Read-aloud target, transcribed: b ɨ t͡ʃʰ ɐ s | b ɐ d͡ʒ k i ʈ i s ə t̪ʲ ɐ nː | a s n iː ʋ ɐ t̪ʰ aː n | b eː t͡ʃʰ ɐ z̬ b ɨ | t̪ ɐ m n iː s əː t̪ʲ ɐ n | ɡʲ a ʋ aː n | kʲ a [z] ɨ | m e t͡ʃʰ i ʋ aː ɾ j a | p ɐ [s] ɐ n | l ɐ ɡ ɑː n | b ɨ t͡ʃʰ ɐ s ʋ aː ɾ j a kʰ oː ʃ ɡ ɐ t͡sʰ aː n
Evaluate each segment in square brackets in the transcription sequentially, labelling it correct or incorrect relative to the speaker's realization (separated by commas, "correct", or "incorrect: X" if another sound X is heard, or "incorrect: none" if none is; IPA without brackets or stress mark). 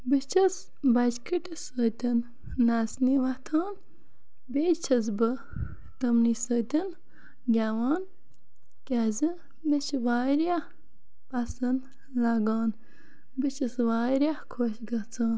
correct, correct